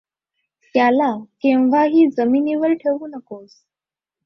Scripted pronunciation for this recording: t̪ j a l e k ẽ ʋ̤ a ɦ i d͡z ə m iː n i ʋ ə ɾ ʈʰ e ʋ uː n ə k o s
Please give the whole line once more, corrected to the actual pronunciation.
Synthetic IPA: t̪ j a l a k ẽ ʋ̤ a ɦ iː d͡z ə m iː n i ʋ ə ɾ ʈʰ e ʋ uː n ə k o s

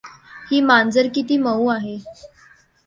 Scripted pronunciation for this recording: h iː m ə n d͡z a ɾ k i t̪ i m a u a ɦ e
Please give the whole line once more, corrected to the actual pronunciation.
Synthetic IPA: h iː m a n d͡z ə ɾ k i t̪ iː m ə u a ɦ e

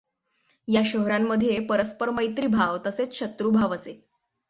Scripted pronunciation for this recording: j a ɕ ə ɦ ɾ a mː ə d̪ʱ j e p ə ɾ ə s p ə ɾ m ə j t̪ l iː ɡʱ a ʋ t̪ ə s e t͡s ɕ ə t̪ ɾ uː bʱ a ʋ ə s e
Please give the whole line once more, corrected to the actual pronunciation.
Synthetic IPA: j a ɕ ə ɦ ɾ a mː ə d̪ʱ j e p ə ɾ ə s p ə ɾ m ə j t̪ ɾ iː bʱ a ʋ t̪ ə s e t͡s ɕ ə t̪ ɾ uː bʱ a ʋ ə s e

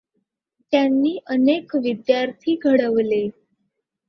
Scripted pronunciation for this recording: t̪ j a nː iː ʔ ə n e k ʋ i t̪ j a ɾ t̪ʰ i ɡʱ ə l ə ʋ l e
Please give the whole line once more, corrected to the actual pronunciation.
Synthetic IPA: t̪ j a nː iː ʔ ə n e k ʋ i d̪ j a ɾ t̪ʰ iː ɡʱ ə ɽ ə ʋ l e

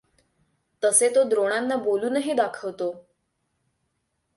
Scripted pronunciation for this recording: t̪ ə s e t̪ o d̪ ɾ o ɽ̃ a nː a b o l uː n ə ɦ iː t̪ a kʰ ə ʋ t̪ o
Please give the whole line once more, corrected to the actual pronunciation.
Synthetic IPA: t̪ ə s e t̪ o d̪ ɾ o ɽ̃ a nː a b o l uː n ə ɦ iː d̪ a kʰ ə ʋ t̪ o

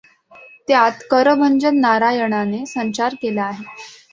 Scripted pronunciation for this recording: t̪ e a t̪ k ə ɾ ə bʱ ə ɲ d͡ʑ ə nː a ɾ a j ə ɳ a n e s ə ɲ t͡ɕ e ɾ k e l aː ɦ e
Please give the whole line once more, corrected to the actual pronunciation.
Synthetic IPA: t̪ e a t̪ k ə ɾ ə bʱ ə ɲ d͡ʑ ə nː a ɾ a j ə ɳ a n e s ə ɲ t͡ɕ a ɾ k e l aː ɦ e

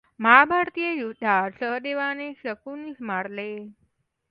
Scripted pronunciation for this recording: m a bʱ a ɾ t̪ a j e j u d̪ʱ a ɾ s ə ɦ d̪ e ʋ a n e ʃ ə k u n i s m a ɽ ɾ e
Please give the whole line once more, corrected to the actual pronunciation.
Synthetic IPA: m a bʱ a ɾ t̪ i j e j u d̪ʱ a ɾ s ə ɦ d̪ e ʋ a n e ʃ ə k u n i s m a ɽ l e

